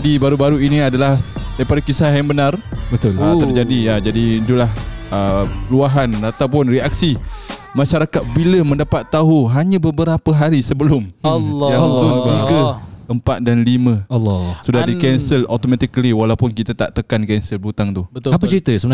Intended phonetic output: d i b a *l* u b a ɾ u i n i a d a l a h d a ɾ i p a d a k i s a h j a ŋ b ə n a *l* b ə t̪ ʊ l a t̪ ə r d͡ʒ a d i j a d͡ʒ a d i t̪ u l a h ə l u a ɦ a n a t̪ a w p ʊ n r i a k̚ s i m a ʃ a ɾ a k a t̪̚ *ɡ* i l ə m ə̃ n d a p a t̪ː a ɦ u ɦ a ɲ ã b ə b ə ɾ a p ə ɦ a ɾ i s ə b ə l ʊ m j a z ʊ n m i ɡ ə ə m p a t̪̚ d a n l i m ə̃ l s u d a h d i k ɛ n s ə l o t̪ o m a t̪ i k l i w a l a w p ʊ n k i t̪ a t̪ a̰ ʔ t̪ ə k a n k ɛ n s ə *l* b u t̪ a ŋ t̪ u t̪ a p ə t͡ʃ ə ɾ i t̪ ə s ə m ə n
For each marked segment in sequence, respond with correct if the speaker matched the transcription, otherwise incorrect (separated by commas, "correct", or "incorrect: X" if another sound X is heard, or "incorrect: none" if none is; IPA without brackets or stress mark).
incorrect: ɾ, incorrect: r, incorrect: b, correct